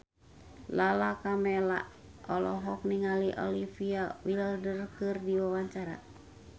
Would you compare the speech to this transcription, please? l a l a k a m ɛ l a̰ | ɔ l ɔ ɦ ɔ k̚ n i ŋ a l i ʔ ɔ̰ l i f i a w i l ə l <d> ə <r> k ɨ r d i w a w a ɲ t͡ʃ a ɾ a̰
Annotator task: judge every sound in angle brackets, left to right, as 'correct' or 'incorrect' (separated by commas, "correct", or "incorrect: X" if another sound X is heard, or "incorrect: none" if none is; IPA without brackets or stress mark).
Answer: correct, correct